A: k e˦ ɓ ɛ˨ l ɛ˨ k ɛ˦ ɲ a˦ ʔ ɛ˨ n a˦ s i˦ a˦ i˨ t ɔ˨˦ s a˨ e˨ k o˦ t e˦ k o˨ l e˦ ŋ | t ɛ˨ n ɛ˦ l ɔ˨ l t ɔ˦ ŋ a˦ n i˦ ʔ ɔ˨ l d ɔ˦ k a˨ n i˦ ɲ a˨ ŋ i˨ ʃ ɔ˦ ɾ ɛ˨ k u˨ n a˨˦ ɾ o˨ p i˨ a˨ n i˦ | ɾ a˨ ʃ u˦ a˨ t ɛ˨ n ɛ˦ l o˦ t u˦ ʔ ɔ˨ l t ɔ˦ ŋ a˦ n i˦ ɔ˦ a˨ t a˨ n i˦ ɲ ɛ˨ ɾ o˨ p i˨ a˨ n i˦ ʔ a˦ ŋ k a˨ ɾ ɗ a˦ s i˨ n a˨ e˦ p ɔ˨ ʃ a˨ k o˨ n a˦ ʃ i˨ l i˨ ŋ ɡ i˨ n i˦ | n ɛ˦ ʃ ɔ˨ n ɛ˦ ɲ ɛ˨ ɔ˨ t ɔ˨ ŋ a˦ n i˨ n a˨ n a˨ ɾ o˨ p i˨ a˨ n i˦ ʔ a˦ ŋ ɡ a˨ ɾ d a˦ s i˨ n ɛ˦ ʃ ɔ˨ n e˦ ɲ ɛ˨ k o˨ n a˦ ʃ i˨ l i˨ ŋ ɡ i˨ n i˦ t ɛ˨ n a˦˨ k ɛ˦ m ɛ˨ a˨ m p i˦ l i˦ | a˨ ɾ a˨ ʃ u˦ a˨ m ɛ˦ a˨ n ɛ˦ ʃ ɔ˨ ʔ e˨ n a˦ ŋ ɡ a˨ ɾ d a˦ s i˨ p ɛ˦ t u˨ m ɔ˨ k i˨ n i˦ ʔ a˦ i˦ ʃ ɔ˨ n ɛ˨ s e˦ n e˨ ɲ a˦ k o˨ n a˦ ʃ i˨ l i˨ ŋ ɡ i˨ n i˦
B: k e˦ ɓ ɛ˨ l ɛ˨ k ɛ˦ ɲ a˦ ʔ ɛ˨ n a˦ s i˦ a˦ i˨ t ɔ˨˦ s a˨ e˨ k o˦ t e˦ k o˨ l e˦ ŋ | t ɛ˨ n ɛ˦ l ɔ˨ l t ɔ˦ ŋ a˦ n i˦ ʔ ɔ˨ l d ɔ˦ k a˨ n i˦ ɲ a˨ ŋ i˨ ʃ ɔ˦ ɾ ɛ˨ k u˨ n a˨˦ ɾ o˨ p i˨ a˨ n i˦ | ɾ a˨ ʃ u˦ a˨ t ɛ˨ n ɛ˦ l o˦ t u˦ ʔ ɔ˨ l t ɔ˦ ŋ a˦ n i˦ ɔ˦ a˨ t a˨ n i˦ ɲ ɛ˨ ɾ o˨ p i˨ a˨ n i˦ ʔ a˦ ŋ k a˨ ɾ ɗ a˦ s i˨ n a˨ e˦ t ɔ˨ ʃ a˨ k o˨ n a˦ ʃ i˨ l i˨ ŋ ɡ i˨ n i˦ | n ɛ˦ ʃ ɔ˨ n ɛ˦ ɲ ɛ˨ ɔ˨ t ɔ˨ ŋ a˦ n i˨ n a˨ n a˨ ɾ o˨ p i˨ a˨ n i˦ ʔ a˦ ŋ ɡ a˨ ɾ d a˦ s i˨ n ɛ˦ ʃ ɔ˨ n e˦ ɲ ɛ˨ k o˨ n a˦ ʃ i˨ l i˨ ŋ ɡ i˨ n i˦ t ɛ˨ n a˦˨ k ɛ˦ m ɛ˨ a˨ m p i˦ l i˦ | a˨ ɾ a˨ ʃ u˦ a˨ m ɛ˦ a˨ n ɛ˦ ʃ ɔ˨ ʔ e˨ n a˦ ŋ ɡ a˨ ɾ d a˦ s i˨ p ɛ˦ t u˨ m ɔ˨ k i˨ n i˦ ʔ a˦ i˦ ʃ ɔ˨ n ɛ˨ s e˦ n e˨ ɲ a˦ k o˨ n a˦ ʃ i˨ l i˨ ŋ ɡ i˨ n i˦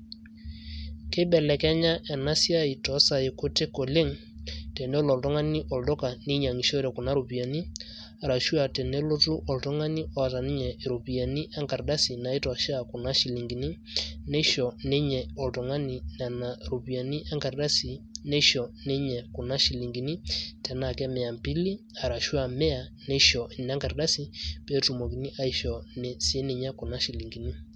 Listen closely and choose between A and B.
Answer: B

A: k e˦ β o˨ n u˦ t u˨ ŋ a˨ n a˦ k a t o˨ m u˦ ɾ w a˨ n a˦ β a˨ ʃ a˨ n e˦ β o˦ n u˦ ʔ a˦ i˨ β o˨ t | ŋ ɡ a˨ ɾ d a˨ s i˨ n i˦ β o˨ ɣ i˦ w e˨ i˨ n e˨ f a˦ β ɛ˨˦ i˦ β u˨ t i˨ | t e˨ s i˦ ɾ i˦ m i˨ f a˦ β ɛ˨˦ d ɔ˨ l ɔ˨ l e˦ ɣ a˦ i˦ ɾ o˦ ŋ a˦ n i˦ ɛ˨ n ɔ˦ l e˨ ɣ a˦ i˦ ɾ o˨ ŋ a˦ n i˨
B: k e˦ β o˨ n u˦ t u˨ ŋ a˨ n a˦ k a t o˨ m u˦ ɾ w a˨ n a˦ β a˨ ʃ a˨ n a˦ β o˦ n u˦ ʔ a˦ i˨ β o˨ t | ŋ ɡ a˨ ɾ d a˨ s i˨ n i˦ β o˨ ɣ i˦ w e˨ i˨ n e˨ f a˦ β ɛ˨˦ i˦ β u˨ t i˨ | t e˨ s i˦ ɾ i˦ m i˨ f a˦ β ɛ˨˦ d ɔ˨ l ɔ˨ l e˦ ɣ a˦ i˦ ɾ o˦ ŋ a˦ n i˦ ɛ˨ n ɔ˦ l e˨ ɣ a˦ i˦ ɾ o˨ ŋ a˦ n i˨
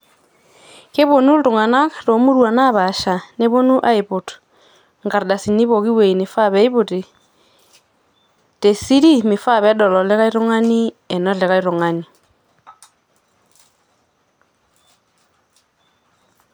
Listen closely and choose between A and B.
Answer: A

